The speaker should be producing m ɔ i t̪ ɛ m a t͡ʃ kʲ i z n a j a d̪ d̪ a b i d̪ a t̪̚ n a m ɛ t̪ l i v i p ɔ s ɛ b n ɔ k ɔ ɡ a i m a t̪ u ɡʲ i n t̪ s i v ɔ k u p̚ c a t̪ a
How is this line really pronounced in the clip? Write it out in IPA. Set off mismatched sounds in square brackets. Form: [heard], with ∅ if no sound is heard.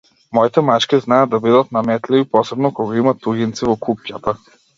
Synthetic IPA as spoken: m ɔ i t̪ ɛ m a t͡ʃ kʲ i z n a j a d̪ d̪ a b i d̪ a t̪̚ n a m ɛ t̪ l i v i p ɔ s ɛ b n ɔ k ɔ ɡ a i m a t̪ u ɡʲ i n t̪ s i v ɔ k u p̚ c a t̪ a